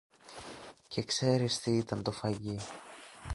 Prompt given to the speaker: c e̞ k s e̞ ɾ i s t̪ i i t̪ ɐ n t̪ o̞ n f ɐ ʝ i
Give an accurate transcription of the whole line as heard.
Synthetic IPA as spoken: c e̞ k s e̞ ɾ i s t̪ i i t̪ ɐ n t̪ o̞ f ɐ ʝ i